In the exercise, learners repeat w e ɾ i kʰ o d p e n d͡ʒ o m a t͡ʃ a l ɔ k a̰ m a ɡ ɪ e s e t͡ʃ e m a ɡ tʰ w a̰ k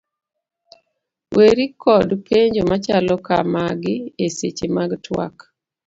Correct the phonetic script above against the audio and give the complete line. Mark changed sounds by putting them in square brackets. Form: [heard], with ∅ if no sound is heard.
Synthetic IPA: w e ɾ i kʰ [ɔ] d p e [ɲ] d͡ʒ o m a t͡ʃ a l ɔ k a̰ m a ɡ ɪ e s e t͡ʃ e m a ɡ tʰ w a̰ k